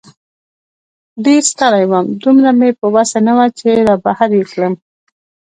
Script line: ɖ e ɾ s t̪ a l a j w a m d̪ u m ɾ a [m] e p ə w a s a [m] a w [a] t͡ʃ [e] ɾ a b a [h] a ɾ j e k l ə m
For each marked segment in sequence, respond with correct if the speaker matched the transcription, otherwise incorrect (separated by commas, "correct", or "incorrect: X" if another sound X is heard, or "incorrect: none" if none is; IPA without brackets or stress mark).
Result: correct, incorrect: n, correct, correct, correct